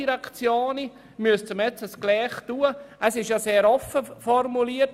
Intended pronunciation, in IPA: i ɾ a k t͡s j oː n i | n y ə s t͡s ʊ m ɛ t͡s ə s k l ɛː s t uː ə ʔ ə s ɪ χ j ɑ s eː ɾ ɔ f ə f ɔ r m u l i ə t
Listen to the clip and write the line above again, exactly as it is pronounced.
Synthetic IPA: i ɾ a k t͡s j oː n i | m y ə s t͡s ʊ m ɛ t͡s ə s k l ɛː χ t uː ə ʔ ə s ɪ ʃ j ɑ s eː ɾ ɔ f ə f ɔ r m u l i ə t

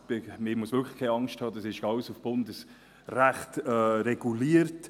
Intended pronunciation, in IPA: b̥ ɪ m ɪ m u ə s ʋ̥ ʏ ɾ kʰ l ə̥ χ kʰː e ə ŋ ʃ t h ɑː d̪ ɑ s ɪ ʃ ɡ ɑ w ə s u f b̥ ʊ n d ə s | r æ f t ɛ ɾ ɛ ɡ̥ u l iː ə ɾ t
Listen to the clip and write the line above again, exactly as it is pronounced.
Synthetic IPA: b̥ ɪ m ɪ m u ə s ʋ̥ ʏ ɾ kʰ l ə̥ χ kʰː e ɑ ŋ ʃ t h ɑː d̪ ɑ s ɪ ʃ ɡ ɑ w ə s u f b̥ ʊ n d ə s | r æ χ t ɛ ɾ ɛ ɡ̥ u l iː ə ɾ t

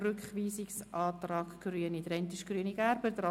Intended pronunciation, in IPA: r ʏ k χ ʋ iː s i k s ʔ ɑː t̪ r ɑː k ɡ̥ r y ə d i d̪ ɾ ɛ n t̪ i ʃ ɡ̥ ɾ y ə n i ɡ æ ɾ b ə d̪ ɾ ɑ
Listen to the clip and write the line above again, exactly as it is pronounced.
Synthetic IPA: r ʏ k χ ʋ iː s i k s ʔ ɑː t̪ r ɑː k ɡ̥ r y ə n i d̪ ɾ ɛ n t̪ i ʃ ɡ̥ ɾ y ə n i ɡ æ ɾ b ə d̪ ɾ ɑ

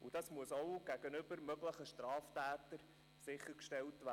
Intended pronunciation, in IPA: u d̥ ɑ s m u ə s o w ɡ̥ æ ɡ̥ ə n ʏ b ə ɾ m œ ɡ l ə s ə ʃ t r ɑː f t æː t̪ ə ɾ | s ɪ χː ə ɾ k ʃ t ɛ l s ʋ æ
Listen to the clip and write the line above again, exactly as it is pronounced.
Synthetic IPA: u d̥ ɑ s m u ə s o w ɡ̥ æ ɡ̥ ə n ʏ b ə ɾ m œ ɡ l ə χ ə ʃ t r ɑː f t æː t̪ ə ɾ | s ɪ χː ə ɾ k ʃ t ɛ l t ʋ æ

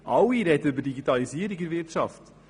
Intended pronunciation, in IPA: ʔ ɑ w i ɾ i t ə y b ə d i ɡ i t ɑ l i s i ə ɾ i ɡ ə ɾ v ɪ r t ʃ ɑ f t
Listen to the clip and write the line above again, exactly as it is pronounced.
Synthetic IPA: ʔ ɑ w i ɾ ɛ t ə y b ə d i ɡ i t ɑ l i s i ə ɾ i ɡ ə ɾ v ɪ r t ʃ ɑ f t

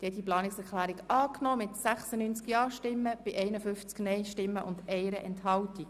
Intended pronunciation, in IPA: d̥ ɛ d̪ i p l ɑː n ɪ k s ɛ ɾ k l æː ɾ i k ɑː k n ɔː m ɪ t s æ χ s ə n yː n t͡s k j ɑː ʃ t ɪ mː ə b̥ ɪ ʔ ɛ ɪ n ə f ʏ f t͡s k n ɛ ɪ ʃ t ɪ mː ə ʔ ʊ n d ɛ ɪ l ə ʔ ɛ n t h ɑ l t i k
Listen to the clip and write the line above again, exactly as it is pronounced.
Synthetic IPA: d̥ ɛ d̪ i p l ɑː n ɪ k s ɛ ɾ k l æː ɾ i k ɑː k n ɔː m ɪ t s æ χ s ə n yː n t͡s k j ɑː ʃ t ɪ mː ə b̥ ɪ ʔ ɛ ɪ n ə f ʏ f t͡s k n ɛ ɪ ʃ t ɪ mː ə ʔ ʊ n d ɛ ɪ ɾ ə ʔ ɛ n t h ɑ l t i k

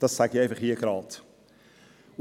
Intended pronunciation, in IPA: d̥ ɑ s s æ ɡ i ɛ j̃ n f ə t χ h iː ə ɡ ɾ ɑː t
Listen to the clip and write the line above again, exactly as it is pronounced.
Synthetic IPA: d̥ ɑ s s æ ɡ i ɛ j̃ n f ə χ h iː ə ɡ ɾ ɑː t

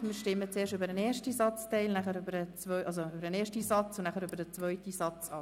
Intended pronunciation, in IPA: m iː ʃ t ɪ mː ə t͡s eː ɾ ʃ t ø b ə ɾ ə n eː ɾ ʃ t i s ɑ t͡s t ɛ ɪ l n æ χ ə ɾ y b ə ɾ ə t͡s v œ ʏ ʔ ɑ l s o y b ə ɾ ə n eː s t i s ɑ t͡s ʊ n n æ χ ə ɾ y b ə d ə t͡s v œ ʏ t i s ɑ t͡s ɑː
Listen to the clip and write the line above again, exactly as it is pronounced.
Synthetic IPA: m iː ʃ t ɪ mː ə t͡s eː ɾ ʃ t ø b ə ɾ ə n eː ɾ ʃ t i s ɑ t͡s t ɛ ɪ l n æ χ ə ɾ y b ə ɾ ə t͡s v œ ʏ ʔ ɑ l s o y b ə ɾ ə n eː ʃ t i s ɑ t͡s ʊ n n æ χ ə ɾ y b ə d ə t͡s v œ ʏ t i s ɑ t͡s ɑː

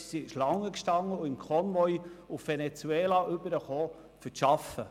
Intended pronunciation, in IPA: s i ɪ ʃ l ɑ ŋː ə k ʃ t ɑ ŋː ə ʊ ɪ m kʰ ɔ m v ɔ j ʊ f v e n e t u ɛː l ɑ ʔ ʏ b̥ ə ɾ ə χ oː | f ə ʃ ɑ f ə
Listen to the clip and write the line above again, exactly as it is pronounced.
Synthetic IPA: s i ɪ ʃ l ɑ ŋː ə k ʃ t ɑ ŋː ə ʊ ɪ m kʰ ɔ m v ɔ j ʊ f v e n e t͡s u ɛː l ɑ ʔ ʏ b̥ ə ɾ ə χ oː | f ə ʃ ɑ f ə

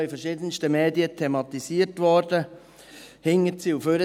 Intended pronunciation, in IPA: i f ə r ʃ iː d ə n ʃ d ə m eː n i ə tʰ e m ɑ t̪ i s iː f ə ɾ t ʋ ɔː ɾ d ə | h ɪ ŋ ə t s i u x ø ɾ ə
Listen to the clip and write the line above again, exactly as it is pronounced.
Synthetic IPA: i f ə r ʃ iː d ə n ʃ t ə m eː d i ə tʰ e m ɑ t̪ i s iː ə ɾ t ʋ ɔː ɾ d ə | h ɪ ŋ ə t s i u f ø ɾ ə

